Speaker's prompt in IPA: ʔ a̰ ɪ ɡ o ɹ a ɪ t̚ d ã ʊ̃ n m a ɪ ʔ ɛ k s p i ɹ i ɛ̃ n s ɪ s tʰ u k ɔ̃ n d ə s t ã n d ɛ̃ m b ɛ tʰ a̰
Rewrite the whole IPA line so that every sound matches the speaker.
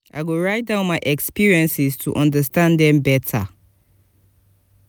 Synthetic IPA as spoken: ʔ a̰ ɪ ɡ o ɹ a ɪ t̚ d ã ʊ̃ n m a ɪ ʔ ɛ k s p i ɹ i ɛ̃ n s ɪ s tʰ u ʔ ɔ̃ n d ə s t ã n d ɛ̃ m b ɛ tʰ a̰